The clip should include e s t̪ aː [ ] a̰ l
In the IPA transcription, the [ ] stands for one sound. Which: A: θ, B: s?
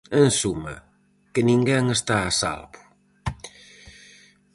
B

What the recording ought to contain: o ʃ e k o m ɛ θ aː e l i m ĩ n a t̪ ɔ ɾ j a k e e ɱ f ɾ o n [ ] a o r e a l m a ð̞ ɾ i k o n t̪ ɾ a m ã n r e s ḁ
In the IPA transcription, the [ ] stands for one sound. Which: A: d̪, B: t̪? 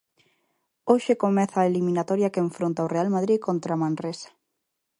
B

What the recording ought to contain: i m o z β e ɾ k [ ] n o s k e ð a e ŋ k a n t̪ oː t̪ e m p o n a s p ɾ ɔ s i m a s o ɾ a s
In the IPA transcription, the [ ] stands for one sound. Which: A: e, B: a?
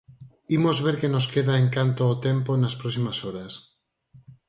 A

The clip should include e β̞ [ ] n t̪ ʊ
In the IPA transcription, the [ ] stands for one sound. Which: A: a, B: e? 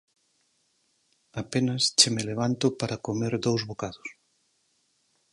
A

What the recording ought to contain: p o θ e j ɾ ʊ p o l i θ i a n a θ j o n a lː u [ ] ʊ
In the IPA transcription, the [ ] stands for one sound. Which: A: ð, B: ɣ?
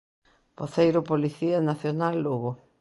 B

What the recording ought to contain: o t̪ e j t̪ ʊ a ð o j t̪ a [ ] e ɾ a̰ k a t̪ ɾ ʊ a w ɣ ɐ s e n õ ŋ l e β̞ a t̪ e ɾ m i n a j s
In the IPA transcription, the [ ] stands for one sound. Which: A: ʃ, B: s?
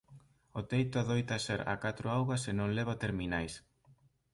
B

